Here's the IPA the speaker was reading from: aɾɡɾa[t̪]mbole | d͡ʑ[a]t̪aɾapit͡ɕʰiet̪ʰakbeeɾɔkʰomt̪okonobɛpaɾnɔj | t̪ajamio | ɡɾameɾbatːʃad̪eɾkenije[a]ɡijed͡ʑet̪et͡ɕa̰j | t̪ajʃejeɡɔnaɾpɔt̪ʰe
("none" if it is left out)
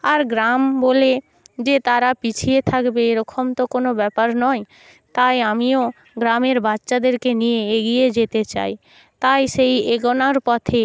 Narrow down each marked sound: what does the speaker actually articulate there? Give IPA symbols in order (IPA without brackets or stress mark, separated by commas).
none, e, e